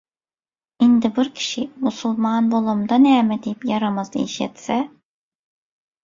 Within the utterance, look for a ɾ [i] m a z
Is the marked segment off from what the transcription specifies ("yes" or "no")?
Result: yes